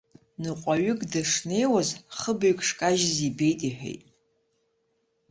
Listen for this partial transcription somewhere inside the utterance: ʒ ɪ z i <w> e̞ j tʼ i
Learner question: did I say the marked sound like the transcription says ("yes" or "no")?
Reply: no